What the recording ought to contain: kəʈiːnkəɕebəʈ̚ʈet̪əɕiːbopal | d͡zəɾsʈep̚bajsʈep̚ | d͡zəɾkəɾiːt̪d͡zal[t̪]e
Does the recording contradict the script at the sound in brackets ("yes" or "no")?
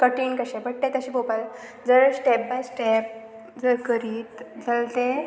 no